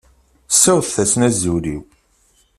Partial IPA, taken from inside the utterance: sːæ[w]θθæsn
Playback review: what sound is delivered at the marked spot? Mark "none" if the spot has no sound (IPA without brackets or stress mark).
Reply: w